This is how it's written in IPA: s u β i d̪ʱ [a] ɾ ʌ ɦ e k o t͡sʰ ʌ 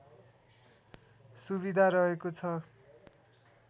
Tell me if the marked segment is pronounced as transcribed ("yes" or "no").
yes